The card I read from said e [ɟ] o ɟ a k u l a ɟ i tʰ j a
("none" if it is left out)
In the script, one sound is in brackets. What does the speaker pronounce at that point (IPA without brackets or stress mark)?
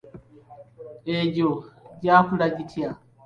ɟ